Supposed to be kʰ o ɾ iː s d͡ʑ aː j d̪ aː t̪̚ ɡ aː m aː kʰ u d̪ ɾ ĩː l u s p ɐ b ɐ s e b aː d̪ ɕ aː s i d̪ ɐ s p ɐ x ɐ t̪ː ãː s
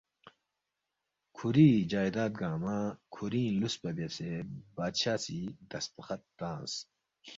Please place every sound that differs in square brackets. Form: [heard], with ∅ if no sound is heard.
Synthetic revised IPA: kʰ [u] ɾ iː [∅] d͡ʑ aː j d̪ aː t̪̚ ɡ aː m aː kʰ u [∅] ɾ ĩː l u s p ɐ b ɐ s e b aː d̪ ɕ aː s i d̪ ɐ s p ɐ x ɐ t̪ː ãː s